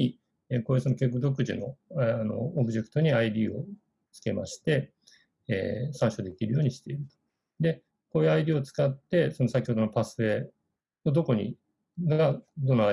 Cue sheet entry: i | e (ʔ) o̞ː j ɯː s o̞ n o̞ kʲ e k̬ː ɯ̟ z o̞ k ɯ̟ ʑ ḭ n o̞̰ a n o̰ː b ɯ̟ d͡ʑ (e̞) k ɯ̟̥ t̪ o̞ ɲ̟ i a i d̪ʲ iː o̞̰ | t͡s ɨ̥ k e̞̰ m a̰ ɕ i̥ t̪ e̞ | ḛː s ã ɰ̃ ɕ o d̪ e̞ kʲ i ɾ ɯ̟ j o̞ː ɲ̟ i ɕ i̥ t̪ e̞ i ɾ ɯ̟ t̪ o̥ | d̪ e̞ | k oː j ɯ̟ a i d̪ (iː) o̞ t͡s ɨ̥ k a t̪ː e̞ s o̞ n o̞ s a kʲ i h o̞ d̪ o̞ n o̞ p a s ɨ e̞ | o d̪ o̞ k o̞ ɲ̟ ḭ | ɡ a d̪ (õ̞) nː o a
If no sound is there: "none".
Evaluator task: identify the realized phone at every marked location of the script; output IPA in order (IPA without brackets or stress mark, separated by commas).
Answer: k, e̞, iː, o̞